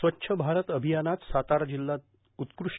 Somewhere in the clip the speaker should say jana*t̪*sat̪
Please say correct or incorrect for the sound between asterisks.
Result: correct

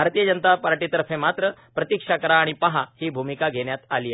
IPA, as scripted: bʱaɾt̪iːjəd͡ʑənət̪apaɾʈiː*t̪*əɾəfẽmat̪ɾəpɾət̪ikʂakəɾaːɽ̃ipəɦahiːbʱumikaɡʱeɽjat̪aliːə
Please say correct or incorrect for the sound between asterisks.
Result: correct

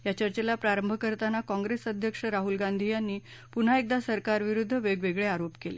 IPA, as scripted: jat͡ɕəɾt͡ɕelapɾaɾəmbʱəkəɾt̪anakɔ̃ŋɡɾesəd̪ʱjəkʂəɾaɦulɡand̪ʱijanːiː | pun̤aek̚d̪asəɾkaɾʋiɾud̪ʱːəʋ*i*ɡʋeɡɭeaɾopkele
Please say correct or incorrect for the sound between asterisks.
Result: incorrect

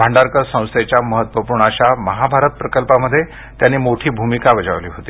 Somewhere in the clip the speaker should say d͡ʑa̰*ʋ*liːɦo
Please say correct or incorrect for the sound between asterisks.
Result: correct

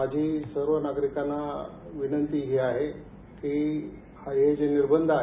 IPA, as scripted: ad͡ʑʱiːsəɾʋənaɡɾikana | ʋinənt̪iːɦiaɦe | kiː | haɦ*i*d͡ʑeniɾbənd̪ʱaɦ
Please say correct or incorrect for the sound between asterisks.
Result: incorrect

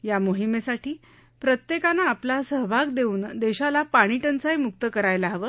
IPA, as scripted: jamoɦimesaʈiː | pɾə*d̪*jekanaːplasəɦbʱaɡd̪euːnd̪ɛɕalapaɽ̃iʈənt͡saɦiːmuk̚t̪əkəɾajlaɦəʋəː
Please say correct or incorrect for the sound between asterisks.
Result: incorrect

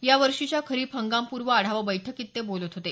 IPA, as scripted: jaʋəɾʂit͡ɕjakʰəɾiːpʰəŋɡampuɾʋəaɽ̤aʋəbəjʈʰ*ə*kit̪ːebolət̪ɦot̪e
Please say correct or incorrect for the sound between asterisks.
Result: correct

